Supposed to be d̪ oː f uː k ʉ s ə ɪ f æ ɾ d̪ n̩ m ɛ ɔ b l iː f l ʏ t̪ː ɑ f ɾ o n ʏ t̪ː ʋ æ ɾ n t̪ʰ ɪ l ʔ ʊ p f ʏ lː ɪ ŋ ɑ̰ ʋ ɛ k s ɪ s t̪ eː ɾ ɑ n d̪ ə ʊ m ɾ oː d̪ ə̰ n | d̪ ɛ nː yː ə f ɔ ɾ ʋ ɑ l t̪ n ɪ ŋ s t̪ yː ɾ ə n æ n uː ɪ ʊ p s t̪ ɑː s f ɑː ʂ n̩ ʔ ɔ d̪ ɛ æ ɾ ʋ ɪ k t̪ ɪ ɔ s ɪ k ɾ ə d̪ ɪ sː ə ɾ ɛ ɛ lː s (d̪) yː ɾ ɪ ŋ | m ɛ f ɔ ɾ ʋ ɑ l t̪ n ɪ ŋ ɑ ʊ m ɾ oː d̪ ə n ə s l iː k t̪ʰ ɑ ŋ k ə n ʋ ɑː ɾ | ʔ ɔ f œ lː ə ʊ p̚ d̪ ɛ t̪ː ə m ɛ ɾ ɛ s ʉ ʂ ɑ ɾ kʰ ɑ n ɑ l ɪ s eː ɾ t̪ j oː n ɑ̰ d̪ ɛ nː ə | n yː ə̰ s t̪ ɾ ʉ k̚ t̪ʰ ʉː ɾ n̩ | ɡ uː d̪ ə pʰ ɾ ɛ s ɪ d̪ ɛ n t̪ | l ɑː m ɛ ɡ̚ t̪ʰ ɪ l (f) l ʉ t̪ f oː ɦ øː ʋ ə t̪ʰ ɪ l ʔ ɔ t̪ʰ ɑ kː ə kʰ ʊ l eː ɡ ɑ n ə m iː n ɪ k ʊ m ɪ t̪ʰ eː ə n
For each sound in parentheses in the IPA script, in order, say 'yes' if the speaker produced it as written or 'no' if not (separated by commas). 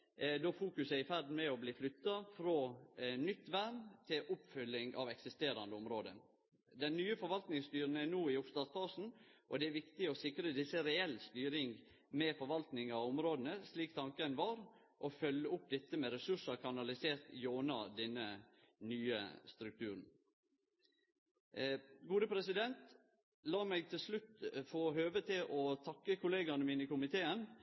no, no